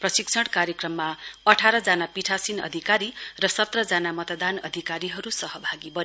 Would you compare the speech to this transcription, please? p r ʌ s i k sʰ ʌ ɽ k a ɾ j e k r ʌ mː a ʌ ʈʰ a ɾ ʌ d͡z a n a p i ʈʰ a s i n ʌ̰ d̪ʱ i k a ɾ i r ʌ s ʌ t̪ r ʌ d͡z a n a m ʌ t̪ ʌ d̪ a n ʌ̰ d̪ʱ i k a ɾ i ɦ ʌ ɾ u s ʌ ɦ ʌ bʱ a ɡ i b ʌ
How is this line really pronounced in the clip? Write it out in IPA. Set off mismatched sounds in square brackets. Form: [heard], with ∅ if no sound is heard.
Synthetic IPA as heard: p r ʌ s i k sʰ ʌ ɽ k a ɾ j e k r ʌ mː a ʌ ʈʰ a ɾ ʌ d͡z a n a p i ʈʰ a s i n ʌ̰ d̪ʱ i k a ɾ i r ʌ s ʌ t̪ r ʌ d͡z a n a m ʌ t̪ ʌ d̪ a n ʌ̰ d̪ʱ i k a ɾ i ɦ ʌ ɾ u s ʌ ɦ ʌ bʱ a ɡ i b ʌ